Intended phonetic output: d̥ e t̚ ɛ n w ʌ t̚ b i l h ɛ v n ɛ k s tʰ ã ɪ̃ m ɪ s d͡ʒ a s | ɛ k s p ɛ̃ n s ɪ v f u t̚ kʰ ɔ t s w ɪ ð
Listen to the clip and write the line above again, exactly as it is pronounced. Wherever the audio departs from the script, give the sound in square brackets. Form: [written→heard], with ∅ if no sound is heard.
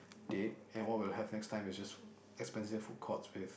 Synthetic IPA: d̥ e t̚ [ɛ→ɛ̃] n w [ʌ→ɔ] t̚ [b→w] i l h ɛ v n ɛ k s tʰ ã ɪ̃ m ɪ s d͡ʒ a s | ɛ k s p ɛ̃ n s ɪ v f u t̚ kʰ ɔ t s w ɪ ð